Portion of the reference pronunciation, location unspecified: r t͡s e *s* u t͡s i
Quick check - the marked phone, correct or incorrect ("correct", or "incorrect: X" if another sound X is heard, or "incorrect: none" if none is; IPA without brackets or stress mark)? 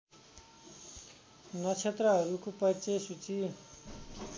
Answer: correct